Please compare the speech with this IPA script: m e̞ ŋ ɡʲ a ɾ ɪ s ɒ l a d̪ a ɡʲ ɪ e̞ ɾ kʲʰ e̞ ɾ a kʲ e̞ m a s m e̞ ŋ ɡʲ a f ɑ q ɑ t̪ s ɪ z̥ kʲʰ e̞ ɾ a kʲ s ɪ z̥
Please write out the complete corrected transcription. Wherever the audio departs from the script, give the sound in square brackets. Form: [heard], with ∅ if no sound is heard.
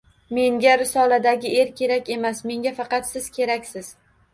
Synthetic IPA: m e̞ ŋ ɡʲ a ɾ ɪ s ɒ l a d̪ a ɡʲ ɪ e̞ ɾ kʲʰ e̞ ɾ a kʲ e̞ m a s m e̞ ŋ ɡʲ a f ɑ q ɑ t̪ s ɪ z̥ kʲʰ e̞ ɾ a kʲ s ɪ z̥